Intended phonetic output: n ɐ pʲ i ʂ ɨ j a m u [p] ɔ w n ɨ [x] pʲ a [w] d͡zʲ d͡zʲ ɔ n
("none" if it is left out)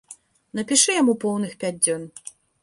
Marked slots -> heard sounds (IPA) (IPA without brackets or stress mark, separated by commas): p, x, none